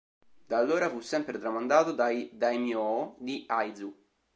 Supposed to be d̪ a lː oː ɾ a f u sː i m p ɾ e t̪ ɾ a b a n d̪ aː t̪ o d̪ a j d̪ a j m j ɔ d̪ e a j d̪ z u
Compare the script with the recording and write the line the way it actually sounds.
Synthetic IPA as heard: d̪ a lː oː ɾ a f u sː ɛ m p ɾ e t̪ ɾ a m a n d̪ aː t̪ o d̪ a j d̪ a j m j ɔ d̪ i a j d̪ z u